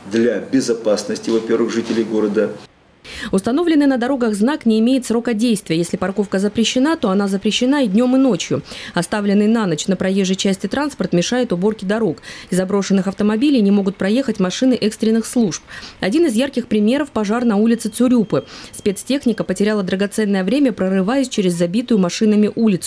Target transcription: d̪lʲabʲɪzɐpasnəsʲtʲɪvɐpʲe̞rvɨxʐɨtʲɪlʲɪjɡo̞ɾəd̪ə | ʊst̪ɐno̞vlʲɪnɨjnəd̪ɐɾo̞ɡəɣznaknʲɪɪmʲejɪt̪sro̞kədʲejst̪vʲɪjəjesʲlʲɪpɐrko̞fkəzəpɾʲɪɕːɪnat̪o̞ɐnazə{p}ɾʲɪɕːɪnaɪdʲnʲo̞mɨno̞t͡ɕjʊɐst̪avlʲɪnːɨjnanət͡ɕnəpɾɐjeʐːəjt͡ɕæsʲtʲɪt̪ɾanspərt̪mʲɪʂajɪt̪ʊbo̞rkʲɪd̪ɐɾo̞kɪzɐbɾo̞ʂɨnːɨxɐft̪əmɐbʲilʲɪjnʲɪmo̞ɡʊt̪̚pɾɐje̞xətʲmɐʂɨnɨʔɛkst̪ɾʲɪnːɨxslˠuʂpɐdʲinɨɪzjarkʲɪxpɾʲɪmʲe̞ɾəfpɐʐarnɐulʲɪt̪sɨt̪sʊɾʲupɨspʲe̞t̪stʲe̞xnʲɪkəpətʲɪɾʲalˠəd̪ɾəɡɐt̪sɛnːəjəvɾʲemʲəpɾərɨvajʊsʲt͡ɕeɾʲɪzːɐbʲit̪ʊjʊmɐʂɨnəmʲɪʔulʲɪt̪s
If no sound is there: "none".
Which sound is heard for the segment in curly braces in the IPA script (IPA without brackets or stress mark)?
p